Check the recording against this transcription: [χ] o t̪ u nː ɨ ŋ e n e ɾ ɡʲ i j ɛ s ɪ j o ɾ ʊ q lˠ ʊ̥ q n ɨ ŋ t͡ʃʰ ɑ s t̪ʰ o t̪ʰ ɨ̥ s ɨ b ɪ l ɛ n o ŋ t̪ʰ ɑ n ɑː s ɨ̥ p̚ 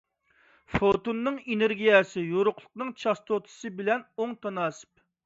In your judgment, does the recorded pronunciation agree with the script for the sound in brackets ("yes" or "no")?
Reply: no